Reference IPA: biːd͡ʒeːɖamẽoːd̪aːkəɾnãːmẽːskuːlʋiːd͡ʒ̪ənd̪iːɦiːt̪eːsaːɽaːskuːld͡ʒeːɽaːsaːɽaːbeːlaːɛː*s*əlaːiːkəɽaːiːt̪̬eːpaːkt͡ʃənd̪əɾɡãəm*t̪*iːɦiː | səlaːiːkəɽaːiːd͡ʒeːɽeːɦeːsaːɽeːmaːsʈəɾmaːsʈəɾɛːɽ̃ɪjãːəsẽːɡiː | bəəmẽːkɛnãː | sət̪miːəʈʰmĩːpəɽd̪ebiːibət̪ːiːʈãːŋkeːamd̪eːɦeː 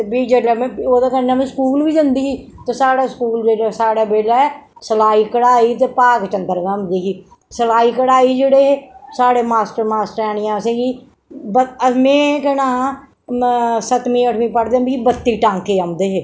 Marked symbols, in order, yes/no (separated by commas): yes, no